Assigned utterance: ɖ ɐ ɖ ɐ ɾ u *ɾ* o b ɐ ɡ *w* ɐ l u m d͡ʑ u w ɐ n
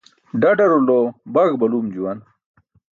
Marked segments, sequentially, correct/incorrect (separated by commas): incorrect, incorrect